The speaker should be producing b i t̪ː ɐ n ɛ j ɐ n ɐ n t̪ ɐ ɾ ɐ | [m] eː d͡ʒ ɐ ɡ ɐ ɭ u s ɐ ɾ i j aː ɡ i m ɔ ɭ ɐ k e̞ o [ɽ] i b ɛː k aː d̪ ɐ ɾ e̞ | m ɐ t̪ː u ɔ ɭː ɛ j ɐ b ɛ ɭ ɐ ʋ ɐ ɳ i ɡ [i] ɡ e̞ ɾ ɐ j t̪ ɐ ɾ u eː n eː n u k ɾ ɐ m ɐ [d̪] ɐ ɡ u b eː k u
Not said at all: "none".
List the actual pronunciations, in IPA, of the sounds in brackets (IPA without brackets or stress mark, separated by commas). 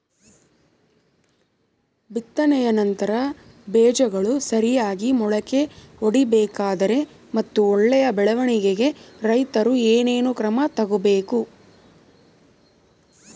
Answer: b, ɽ, e, t̪